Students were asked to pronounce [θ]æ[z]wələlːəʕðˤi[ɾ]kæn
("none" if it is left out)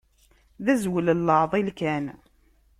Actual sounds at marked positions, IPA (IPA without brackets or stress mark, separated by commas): ð, z, l